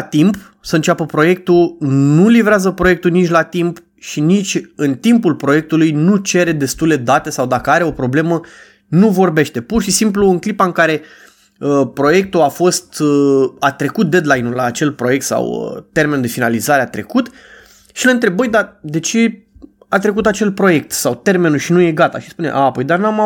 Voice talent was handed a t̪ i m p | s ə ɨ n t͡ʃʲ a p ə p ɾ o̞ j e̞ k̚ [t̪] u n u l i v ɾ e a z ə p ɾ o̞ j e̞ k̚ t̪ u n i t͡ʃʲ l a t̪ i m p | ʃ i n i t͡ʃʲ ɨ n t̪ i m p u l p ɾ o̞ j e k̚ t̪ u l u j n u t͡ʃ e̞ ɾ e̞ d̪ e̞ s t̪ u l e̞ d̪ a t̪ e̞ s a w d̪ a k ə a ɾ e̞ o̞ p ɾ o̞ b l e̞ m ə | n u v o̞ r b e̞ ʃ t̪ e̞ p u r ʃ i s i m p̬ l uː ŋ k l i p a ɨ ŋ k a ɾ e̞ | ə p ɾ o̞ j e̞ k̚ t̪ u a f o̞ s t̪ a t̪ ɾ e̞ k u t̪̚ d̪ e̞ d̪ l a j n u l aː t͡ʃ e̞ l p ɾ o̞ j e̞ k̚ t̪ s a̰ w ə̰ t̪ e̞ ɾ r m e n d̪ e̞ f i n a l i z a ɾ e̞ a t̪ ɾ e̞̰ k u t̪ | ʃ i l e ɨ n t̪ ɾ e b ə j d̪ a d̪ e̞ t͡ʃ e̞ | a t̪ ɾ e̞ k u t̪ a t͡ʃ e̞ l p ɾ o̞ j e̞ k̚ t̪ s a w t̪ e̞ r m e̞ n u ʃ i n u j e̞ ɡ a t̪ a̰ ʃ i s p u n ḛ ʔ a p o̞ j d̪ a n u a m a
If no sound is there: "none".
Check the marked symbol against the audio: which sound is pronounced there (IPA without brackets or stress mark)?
t̪